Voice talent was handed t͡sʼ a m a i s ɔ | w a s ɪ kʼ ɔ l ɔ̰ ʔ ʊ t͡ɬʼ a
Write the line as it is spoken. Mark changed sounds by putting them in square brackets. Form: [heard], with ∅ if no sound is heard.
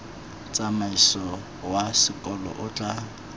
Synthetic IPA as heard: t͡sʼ a m a i s ɔ | w a s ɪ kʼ ɔ l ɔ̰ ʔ ʊ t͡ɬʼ a